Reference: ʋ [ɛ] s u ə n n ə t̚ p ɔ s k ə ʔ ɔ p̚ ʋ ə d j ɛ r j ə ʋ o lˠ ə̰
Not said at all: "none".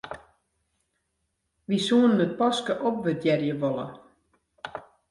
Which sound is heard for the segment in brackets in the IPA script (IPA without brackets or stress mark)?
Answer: i